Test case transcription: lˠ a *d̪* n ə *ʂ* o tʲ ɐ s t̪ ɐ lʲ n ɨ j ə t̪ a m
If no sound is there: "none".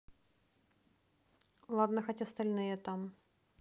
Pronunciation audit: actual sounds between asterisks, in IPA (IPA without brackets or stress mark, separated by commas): d̪, x